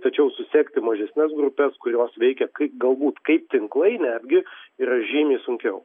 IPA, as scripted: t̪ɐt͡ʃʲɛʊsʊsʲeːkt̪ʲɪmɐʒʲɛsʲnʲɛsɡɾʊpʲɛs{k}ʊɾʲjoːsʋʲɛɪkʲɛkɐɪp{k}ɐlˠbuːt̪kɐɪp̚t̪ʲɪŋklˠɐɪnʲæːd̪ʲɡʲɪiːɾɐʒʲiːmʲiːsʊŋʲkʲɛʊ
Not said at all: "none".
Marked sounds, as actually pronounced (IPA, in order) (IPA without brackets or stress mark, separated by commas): k, ɡ